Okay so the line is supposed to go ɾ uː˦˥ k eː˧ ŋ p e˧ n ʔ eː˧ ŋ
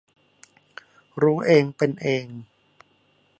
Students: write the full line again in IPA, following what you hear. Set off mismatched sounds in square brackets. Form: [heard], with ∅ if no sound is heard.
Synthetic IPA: ɾ uː˦˥ [ʔ] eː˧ ŋ p e˧ n ʔ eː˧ ŋ

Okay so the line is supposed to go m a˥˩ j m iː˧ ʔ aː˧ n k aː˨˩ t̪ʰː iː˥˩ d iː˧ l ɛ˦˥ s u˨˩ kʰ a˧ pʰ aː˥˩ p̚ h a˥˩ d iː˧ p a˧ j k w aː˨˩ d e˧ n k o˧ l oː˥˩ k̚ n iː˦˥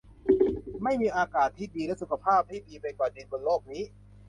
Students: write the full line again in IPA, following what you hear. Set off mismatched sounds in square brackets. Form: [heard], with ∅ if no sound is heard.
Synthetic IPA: m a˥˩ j m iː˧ ʔ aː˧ [∅] k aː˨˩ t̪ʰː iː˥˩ d iː˧ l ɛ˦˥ s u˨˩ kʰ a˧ pʰ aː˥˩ p̚ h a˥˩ d iː˧ p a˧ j k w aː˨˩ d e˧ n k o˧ l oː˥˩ k̚ n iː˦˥

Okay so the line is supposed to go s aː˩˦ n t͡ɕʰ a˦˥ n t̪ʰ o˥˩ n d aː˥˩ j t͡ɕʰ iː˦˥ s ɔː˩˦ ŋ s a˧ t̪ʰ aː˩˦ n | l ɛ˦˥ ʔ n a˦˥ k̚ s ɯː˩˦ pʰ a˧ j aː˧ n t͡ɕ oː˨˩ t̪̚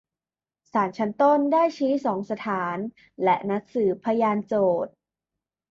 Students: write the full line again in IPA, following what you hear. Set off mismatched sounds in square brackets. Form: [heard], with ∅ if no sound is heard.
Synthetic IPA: s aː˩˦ n t͡ɕʰ a˦˥ n [t̪] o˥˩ n d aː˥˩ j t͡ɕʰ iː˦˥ s ɔː˩˦ ŋ s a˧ t̪ʰ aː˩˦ n | l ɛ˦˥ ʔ n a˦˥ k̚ s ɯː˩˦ pʰ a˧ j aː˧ n t͡ɕ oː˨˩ t̪̚

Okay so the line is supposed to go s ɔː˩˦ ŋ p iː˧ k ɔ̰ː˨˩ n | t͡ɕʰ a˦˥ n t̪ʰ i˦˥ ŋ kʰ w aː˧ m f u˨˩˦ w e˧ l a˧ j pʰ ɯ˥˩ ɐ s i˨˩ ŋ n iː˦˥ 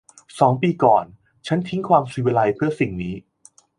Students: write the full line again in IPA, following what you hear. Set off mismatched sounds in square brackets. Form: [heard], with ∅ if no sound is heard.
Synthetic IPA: s ɔː˩˦ ŋ p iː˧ k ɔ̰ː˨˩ n | t͡ɕʰ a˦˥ n t̪ʰ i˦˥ ŋ kʰ w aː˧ m [s] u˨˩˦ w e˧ l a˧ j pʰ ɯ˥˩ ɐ s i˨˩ ŋ n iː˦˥

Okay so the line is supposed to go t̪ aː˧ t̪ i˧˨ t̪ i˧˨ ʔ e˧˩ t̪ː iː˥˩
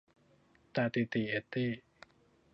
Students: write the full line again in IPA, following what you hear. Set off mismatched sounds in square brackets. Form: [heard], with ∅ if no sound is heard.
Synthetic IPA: t̪ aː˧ t̪ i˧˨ t̪ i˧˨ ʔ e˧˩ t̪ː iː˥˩

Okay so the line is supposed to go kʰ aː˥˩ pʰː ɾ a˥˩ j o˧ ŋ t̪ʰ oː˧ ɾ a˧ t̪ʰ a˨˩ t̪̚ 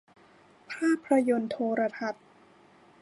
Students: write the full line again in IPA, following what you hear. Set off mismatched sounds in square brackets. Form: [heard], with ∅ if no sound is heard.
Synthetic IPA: [pʰ] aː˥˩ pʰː ɾ [a˧] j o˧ [n] t̪ʰ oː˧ ɾ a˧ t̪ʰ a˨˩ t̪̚

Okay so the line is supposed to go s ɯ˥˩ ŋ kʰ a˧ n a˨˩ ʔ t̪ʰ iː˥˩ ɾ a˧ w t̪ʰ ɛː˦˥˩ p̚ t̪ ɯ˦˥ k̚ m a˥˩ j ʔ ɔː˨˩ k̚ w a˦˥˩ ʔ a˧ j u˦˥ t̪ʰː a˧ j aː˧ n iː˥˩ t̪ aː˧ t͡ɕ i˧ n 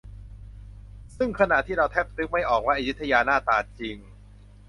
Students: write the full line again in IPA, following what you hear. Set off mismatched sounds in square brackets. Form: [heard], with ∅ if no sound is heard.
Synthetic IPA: s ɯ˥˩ ŋ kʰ a˧ n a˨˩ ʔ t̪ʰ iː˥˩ ɾ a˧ w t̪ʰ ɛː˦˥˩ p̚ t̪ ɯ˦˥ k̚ m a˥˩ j ʔ ɔː˨˩ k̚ w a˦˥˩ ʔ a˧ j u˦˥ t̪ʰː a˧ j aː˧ n [aː˥˩] t̪ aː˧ t͡ɕ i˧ [ŋ]

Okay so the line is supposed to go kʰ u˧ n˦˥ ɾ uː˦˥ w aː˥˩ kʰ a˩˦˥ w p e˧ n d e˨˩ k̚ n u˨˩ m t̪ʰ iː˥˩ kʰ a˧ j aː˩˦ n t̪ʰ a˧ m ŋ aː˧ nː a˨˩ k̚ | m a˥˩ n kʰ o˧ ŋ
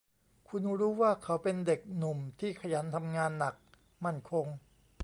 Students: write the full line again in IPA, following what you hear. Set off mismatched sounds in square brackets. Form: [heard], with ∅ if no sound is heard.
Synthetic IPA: kʰ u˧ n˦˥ ɾ uː˦˥ w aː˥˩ kʰ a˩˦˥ w p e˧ n d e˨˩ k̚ n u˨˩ m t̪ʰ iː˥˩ kʰ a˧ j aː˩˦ n t̪ʰ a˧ m ŋ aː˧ nː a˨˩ k̚ | m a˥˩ n kʰ o˧ ŋ

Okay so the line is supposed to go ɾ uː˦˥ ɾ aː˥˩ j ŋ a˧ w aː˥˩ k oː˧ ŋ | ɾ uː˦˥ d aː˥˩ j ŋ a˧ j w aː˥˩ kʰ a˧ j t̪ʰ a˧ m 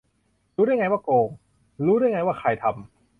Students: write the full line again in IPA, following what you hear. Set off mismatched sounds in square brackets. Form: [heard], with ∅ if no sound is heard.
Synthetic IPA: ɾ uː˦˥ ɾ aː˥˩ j ŋ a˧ w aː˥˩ k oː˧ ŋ | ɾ uː˦˥ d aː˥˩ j ŋ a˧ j w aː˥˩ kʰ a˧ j t̪ʰ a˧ m

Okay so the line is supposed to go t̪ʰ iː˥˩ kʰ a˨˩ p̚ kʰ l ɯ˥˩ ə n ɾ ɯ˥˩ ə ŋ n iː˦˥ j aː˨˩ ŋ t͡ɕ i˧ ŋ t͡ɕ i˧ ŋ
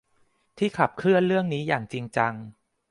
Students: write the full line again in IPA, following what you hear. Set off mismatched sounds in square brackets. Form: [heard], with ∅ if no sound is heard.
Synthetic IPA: t̪ʰ iː˥˩ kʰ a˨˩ p̚ kʰ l ɯ˥˩ ə n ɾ ɯ˥˩ ə ŋ n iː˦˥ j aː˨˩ ŋ t͡ɕ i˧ ŋ t͡ɕ [a˧] ŋ

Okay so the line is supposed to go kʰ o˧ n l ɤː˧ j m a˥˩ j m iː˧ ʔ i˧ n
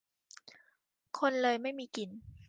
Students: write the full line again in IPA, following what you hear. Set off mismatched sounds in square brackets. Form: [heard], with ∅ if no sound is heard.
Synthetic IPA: kʰ o˧ n l ɤː˧ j m a˥˩ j m iː˧ [k] i˧ n

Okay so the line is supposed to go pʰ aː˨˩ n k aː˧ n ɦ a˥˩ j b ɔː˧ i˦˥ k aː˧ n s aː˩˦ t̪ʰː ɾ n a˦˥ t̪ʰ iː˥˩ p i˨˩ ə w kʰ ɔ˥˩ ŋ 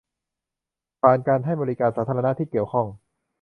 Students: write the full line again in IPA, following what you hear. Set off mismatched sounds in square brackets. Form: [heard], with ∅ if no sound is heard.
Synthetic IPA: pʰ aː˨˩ n k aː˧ n ɦ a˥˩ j b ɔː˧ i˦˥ k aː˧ n s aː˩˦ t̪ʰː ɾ n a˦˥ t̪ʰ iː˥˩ [k] i˨˩ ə w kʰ ɔ˥˩ ŋ

